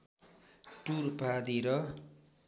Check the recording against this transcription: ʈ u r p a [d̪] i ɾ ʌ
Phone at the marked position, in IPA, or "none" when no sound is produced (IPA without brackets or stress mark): d̪